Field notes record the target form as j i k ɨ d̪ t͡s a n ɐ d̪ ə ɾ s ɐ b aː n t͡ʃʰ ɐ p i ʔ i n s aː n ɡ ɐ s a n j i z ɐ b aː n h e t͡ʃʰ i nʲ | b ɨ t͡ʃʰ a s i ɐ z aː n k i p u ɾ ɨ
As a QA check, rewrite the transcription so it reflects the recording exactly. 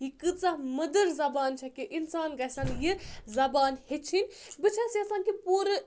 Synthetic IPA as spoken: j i k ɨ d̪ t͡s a m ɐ d̪ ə ɾ z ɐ b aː n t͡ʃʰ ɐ k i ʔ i n s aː n ɡ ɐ s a n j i z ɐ b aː n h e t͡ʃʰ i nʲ | b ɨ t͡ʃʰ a s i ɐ s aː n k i p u ɾ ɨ